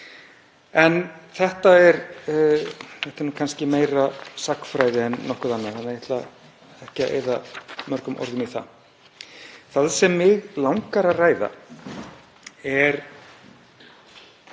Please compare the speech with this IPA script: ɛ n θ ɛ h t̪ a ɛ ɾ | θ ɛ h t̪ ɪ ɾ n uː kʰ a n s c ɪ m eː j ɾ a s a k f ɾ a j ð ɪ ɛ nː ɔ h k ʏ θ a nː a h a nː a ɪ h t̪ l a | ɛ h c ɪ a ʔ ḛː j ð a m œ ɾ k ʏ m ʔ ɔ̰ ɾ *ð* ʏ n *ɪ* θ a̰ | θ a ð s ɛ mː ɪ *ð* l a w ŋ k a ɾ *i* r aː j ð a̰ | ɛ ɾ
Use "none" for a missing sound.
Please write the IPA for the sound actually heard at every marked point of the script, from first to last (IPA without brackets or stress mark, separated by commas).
ð, i, ɣ, a